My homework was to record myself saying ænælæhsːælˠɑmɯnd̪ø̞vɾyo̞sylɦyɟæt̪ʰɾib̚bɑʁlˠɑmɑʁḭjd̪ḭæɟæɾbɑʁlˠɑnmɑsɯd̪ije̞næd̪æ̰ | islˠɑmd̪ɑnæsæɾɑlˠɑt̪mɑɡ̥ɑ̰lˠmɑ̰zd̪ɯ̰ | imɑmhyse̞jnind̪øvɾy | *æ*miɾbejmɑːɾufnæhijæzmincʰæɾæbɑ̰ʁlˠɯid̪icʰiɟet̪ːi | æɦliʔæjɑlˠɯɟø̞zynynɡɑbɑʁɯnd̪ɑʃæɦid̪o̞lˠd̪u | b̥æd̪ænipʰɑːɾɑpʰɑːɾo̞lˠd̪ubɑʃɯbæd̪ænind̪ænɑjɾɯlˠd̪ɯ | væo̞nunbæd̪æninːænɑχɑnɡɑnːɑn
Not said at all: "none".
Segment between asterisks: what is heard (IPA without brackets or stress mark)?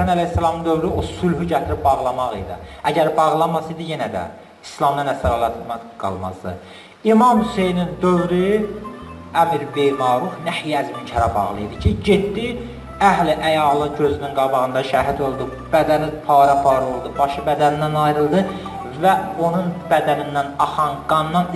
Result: æ